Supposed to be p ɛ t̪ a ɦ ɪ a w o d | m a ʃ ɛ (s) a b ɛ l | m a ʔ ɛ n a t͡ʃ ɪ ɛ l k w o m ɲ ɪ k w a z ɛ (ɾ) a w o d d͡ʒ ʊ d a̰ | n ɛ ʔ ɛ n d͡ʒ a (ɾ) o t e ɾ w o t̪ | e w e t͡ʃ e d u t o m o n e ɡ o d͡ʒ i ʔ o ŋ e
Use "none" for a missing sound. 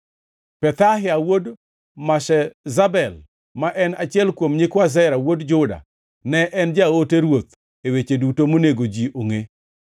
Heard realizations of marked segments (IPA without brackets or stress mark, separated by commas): z, ɾ, none